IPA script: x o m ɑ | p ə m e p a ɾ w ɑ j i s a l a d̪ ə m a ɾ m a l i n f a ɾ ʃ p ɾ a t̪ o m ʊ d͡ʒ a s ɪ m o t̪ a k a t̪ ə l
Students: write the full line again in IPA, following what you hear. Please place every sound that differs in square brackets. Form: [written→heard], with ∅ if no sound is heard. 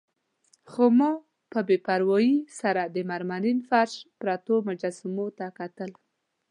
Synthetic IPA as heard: x o m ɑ | p ə [m→b] e p a ɾ w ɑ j i s a [l→ɾ] a d̪ ə m a ɾ m a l i n f a ɾ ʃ p ɾ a t̪ o m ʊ d͡ʒ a s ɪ m o t̪ a k a t̪ ə l